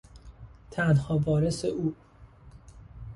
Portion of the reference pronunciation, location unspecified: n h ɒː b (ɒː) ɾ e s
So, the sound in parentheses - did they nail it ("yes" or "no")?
yes